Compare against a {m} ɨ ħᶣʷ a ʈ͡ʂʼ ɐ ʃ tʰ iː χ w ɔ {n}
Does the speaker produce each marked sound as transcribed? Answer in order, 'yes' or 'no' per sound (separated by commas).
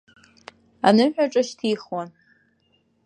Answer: no, yes